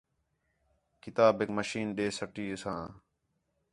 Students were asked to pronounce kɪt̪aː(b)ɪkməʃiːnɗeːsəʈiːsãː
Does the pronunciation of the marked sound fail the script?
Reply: no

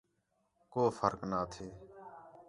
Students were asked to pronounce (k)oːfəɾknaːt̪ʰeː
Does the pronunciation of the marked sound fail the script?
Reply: no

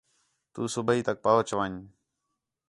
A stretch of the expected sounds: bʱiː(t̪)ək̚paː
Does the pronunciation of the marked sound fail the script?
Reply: no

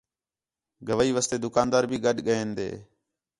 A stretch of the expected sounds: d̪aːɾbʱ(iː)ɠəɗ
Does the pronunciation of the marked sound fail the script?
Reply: no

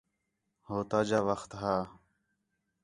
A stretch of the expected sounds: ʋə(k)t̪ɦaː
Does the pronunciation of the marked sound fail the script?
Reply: yes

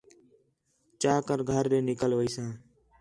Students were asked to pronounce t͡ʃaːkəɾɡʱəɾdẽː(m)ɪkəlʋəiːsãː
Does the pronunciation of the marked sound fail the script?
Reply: yes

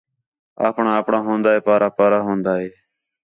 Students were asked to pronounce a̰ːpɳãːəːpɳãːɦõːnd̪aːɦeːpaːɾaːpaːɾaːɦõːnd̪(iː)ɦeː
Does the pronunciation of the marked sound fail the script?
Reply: yes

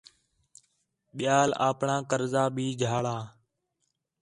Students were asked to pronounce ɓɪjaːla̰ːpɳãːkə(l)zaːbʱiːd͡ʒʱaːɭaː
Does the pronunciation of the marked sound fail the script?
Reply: yes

